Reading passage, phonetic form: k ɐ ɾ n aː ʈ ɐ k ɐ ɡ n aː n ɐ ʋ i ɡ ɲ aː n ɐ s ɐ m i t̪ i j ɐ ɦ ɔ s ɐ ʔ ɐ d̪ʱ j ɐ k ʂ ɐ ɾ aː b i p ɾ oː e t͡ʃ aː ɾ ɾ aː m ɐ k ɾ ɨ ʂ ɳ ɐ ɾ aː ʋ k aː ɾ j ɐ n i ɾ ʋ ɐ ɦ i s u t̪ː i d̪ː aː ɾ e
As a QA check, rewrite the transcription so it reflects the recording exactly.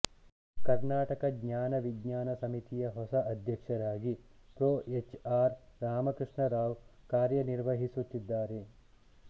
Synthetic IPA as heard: k ɐ ɾ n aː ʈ ɐ k ɐ ɡ ɲ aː n ɐ ʋ i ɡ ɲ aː n ɐ s ɐ m i t̪ i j ɐ ɦ ɔ s ɐ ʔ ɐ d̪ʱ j ɐ k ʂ ɐ ɾ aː ɡ i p ɾ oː e t͡ʃ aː ɾ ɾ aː m ɐ k ɾ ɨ ʂ ɳ ɐ ɾ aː ʋ k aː ɾ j ɐ n i ɾ ʋ ɐ ɦ i s u t̪ː i d̪ː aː ɾ e